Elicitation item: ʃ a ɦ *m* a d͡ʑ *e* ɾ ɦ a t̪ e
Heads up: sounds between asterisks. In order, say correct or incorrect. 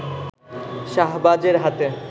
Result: incorrect, correct

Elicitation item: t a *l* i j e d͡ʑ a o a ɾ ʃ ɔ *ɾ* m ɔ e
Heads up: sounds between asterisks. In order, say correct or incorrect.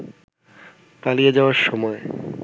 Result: correct, incorrect

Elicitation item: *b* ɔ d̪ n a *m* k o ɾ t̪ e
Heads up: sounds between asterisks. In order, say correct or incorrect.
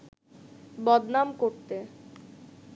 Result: correct, correct

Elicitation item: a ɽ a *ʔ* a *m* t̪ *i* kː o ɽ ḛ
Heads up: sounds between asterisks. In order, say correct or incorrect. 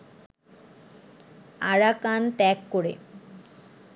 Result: incorrect, incorrect, incorrect

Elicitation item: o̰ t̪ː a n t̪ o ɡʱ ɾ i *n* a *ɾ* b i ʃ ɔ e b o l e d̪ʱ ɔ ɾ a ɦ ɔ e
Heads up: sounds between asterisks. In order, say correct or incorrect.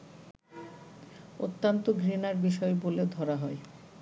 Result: correct, correct

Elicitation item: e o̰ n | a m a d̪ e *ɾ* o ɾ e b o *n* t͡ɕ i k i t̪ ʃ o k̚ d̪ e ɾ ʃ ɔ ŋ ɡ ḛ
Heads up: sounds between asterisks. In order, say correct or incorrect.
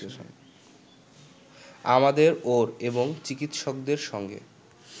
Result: correct, incorrect

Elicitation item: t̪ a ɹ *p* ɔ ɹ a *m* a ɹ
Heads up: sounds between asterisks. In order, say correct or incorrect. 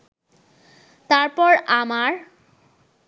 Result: correct, correct

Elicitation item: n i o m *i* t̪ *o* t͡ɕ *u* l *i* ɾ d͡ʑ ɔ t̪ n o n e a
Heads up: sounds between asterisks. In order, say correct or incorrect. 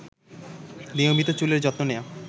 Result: correct, correct, correct, incorrect

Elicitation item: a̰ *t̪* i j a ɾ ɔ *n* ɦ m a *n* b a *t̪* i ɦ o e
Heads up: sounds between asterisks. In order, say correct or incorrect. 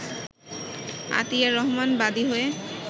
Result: correct, incorrect, correct, incorrect

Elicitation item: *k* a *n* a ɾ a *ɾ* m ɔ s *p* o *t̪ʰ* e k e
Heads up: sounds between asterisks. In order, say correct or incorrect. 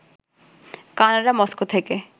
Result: correct, correct, incorrect, incorrect, correct

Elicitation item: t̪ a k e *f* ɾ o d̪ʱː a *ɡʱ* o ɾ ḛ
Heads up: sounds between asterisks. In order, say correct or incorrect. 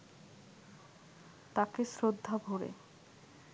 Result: incorrect, incorrect

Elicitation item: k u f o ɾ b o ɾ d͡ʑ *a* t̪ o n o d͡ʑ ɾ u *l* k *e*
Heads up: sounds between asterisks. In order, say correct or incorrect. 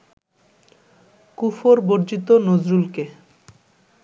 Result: incorrect, correct, correct

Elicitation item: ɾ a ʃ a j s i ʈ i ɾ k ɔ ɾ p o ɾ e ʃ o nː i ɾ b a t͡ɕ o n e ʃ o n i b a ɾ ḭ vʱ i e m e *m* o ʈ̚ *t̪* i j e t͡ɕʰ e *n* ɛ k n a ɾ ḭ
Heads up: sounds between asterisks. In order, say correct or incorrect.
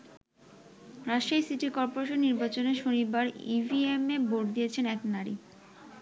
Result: incorrect, incorrect, correct

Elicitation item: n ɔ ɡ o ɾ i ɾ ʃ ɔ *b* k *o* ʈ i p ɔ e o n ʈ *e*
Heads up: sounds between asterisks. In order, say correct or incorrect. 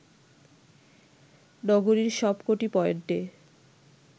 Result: correct, correct, correct

